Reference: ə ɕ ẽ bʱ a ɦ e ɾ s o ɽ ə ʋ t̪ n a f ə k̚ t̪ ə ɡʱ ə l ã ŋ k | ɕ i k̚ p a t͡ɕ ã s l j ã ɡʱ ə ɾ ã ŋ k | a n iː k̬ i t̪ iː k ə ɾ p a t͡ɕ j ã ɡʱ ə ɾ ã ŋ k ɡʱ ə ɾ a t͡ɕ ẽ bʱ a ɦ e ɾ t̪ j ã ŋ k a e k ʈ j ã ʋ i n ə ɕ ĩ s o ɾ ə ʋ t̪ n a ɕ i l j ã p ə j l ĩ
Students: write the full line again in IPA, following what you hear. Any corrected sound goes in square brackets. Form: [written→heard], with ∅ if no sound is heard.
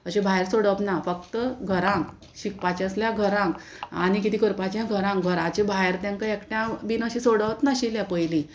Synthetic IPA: ə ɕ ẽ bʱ a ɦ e ɾ s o ɽ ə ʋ t̪ n a f ə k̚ t̪ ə ɡʱ ə [l→ɾ] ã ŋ k | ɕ i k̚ p a t͡ɕ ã s l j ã ɡʱ ə ɾ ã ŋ k | a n [iː→i] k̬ i t̪ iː k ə ɾ p a t͡ɕ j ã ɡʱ ə ɾ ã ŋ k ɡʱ ə ɾ a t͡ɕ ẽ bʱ a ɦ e ɾ t̪ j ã ŋ k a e k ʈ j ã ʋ i n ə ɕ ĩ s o [ɾ→ɽ] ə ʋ t̪ n a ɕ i l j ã p ə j l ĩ